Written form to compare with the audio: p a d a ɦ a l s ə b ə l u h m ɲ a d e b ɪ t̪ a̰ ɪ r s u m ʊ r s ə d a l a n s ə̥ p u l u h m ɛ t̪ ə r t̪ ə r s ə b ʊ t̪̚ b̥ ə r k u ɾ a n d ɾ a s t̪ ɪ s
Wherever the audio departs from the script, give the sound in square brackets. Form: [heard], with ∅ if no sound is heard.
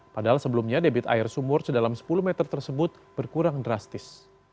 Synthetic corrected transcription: p a d a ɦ a l s ə b ə l u [∅] m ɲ a d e b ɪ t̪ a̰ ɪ r s u m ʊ r s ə d a l a [m] s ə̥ p u l u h m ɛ t̪ ə r t̪ ə r s ə b ʊ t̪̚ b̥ ə r k u ɾ a [ŋ] d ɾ a s t̪ ɪ s